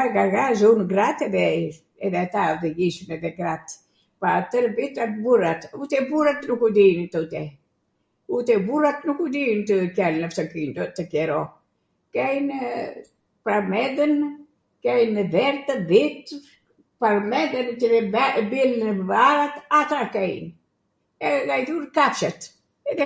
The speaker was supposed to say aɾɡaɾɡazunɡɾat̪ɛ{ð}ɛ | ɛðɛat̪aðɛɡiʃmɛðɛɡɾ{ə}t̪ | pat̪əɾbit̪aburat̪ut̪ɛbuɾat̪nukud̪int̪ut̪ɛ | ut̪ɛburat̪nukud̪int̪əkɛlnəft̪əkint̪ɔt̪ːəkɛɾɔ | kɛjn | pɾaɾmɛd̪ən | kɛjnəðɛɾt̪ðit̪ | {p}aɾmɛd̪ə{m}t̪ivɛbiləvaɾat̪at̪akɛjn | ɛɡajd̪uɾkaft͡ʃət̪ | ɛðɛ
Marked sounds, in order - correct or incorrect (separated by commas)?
correct, incorrect, correct, incorrect